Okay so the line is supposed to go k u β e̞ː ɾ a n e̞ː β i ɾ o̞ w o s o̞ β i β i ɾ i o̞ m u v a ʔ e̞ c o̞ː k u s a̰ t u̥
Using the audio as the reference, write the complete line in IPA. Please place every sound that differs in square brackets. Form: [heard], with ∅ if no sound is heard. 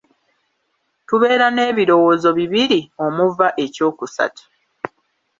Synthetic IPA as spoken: [t] u β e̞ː ɾ a n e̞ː β i ɾ o̞ w o [z] o̞ β i β i ɾ i o̞ m u v a ʔ e̞ c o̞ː k u s a̰ t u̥